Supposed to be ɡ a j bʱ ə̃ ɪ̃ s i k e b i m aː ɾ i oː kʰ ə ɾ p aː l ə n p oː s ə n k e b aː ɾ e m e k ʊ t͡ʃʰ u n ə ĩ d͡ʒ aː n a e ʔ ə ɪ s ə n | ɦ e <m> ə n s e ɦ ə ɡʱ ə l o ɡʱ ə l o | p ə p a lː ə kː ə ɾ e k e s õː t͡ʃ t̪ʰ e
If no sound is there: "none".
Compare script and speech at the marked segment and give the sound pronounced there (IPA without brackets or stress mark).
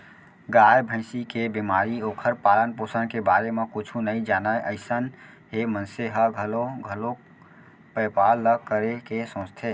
m